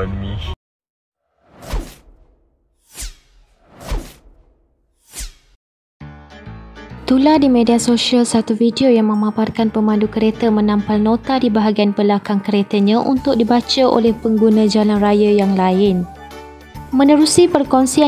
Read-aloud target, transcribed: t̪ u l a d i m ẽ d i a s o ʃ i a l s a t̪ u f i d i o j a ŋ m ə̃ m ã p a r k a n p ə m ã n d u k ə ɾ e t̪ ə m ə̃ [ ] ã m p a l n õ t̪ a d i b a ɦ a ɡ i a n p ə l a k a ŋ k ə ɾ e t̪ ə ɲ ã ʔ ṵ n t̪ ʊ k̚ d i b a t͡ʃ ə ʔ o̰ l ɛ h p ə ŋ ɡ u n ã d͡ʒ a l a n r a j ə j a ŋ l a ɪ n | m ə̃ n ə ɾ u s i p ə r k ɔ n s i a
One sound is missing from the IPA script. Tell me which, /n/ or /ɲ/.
n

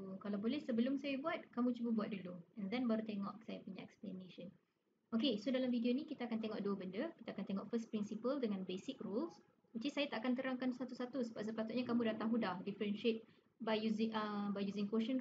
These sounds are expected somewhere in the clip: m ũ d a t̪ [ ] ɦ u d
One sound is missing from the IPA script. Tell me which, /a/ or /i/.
a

